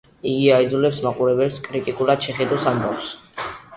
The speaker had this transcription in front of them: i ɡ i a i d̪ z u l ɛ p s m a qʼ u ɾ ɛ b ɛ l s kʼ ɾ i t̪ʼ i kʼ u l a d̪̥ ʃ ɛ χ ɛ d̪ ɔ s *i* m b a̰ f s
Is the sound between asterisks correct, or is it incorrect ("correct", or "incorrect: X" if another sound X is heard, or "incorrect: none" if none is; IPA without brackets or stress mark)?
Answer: incorrect: a